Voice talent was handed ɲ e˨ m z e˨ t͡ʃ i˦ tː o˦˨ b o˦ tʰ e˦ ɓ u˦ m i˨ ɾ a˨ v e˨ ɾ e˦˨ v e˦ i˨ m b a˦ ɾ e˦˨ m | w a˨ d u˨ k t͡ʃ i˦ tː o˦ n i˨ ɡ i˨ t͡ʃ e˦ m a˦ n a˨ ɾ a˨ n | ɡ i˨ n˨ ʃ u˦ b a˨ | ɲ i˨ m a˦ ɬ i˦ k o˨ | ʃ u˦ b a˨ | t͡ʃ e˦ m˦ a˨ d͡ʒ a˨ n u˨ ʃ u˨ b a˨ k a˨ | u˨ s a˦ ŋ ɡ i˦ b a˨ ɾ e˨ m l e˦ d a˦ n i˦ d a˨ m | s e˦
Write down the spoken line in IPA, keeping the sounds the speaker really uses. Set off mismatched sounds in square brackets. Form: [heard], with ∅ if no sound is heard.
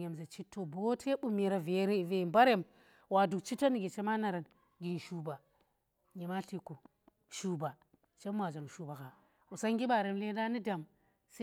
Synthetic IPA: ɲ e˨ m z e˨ t͡ʃ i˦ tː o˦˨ b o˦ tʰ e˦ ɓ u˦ m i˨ ɾ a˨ v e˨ ɾ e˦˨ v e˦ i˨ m b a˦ ɾ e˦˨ m | w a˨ d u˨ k t͡ʃ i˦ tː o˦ n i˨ ɡ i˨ t͡ʃ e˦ m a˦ n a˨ ɾ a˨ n | ɡ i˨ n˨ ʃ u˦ b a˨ | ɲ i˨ m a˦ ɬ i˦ k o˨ | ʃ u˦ b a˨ | t͡ʃ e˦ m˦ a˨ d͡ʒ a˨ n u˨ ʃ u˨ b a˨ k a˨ | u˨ s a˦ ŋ ɡ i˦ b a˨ ɾ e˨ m l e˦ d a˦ n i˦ d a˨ m | s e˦